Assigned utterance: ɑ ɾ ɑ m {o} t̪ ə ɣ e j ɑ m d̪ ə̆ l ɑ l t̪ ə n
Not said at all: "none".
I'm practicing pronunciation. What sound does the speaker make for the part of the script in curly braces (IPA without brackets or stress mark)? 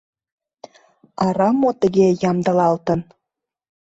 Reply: o